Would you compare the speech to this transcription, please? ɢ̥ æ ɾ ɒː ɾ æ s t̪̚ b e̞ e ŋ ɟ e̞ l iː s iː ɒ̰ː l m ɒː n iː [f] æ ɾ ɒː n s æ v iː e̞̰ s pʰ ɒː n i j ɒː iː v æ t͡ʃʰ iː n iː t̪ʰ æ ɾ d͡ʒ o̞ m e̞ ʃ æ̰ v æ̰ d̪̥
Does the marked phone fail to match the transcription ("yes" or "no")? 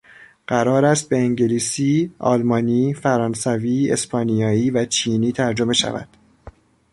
no